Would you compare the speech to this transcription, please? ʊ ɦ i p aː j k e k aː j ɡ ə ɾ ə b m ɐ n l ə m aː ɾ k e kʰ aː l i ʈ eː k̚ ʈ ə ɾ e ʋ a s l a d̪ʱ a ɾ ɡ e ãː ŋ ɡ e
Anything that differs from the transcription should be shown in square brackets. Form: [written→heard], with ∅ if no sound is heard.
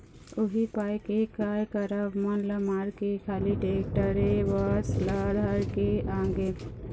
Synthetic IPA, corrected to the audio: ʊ ɦ i p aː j k e k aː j [ɡ→k] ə ɾ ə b m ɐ n l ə m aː ɾ k e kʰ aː l i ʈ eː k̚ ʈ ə ɾ e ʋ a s l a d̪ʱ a ɾ [ɡ→k] e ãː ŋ ɡ e